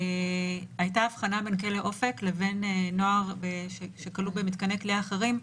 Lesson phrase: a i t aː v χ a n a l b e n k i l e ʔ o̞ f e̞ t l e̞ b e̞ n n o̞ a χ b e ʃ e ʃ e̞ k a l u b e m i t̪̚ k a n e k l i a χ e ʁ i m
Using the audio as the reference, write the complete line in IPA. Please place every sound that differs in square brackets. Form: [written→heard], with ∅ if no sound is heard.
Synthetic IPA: a [i→j] t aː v χ a n a [l→∅] b e n k [i→e] l e ʔ o̞ f e̞ [t→k] l e̞ [b→v] e̞ n n o̞ a [χ→ʁ] b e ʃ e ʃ e̞ k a l u b e m i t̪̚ k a n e k l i a χ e ʁ i m